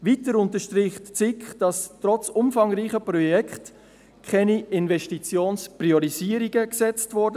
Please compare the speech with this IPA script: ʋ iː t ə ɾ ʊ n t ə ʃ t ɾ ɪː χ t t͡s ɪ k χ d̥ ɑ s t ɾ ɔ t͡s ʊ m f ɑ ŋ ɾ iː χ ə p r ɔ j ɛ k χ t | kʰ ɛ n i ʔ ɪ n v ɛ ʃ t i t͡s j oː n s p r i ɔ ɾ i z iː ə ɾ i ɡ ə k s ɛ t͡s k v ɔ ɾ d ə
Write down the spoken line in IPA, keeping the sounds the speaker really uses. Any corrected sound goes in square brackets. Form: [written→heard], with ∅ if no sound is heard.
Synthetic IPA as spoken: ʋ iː t ə ɾ ʊ n t ə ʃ t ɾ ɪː χ t t͡s ɪ k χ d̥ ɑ s t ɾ ɔ t͡s ʊ m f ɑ ŋ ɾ iː χ ə p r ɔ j ɛ k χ t | kʰ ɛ n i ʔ ɪ n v ɛ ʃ t i t͡s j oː n s p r i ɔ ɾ i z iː ə ɾ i ɡ ə k s ɛ t͡s [k→t] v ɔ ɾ d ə